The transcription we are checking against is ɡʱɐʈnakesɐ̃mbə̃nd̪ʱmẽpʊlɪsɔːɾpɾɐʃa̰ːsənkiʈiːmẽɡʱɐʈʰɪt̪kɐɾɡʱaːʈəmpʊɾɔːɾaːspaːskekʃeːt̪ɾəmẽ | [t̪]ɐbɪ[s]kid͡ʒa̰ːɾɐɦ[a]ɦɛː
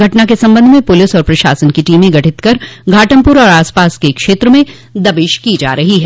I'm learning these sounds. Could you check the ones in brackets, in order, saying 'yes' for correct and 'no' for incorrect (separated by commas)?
no, no, no